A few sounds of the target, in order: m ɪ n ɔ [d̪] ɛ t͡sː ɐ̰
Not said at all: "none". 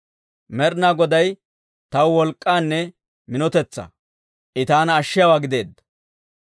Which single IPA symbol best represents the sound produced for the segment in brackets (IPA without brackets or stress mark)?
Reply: t̪